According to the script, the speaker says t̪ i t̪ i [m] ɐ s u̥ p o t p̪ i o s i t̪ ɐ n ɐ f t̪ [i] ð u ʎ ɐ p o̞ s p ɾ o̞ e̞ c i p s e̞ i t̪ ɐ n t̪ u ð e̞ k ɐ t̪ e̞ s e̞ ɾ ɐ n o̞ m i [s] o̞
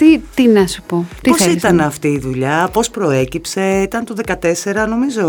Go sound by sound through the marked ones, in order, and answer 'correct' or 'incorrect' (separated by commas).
incorrect, incorrect, incorrect